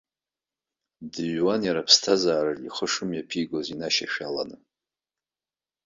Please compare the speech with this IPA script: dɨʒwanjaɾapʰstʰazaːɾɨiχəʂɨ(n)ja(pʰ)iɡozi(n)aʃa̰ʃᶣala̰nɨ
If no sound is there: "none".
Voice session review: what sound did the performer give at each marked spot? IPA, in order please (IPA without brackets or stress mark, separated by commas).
m, pʰ, n